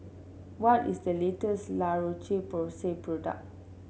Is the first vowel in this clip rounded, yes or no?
yes